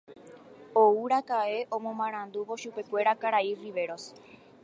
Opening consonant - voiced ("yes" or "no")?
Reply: yes